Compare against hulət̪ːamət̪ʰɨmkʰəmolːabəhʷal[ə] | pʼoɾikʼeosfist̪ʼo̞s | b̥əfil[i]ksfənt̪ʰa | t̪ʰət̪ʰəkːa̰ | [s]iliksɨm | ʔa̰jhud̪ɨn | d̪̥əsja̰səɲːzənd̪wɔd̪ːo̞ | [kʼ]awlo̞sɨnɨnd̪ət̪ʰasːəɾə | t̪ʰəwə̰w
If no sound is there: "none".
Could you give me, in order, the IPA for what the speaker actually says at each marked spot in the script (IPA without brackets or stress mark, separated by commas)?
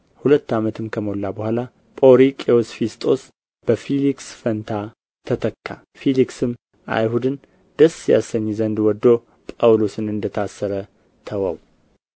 a, i, f, pʼ